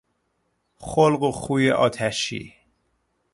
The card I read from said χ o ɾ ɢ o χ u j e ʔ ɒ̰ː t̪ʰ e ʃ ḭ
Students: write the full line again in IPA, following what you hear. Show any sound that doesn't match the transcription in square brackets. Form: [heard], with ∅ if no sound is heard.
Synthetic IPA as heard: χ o [l] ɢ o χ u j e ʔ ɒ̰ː t̪ʰ [æ] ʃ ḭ

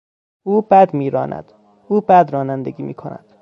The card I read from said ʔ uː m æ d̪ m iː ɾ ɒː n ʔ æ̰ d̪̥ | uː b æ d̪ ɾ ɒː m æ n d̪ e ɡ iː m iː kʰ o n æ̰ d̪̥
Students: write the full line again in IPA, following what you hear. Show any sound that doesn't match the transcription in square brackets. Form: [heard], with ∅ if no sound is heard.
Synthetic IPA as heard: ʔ uː [b] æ d̪ m iː ɾ ɒː n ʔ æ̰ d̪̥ | uː b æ d̪ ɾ ɒː [n] æ n d̪ e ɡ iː m iː kʰ o n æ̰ d̪̥

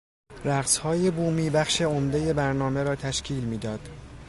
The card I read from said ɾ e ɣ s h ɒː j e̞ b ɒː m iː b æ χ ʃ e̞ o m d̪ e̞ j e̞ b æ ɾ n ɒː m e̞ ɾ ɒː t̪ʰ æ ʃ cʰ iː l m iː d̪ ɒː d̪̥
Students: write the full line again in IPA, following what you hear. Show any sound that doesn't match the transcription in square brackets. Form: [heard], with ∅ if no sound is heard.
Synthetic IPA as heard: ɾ [æ] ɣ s h ɒː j e̞ b [uː] m iː b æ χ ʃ e̞ o m d̪ e̞ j e̞ b æ ɾ n ɒː m e̞ ɾ ɒː t̪ʰ æ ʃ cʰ iː l m iː d̪ ɒː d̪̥

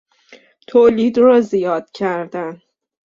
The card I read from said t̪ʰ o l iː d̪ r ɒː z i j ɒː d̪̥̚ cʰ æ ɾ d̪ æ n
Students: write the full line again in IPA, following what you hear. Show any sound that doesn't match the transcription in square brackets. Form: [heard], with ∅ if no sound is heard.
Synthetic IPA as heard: t̪ʰ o l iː d̪ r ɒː z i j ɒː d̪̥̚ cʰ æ ɾ d̪ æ n

